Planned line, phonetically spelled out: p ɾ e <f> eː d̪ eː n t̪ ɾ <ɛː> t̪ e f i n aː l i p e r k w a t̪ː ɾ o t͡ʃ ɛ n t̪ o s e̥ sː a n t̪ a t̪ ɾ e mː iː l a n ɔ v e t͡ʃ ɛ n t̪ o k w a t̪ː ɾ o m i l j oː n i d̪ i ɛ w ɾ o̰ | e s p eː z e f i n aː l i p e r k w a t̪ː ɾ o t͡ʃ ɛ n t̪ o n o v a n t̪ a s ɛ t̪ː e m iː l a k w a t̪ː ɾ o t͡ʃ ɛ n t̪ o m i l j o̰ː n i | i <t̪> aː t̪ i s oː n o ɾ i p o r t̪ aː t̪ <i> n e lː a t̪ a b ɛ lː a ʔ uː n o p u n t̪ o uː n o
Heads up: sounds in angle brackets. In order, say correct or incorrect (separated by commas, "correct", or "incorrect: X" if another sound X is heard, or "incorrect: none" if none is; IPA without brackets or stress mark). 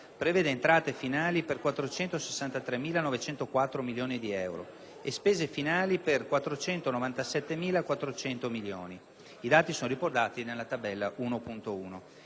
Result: incorrect: v, incorrect: aː, incorrect: d̪, correct